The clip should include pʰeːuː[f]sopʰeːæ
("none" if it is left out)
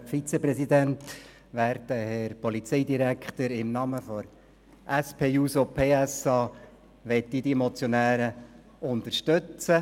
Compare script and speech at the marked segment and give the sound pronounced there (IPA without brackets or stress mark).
none